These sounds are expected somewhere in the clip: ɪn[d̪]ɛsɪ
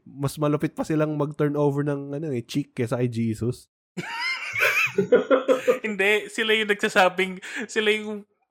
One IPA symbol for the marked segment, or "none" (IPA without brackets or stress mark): d̪